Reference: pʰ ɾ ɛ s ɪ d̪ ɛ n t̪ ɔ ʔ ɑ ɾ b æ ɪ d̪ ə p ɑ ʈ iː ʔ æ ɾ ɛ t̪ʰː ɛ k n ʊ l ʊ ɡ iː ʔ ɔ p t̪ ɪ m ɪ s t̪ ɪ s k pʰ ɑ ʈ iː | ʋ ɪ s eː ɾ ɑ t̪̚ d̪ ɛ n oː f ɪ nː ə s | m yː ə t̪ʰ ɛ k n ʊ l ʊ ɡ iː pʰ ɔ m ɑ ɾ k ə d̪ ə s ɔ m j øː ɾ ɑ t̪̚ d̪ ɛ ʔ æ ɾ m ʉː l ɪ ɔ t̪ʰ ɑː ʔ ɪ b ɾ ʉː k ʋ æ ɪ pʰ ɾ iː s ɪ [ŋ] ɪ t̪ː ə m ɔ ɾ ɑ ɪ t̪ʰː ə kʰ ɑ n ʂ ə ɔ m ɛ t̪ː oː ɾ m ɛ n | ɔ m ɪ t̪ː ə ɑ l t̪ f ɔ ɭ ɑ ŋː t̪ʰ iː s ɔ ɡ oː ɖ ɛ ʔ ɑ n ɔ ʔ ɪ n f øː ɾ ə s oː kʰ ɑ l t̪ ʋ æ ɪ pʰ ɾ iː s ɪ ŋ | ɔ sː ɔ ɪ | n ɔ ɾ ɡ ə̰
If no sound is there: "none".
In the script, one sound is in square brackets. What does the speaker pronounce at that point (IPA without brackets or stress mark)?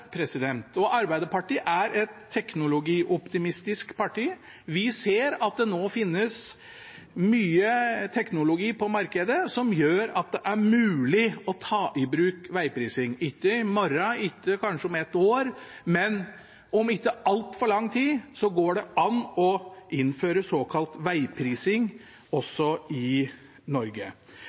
ŋ